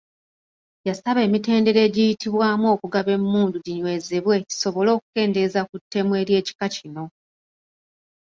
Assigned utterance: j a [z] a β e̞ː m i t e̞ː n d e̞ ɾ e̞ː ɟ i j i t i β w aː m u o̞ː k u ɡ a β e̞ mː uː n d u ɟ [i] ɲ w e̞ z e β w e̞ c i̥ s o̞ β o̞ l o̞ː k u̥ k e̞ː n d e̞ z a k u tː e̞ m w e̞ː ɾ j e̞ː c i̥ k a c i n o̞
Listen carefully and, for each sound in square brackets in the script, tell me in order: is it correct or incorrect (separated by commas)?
incorrect, correct